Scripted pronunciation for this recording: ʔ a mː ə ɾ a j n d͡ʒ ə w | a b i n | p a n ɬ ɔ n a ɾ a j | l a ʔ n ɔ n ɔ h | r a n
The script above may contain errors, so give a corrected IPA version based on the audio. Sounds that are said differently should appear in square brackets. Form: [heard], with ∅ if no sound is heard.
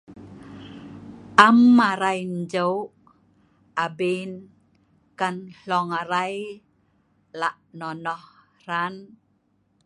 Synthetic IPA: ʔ a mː [a] ɾ a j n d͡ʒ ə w | a b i n | [k] a n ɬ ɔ [ŋ] a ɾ a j | l a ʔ n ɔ n ɔ h | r a n